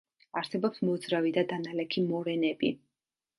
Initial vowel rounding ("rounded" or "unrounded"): unrounded